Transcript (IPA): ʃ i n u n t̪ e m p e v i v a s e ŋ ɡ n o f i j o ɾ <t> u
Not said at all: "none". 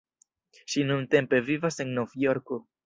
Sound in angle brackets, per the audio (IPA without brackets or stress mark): k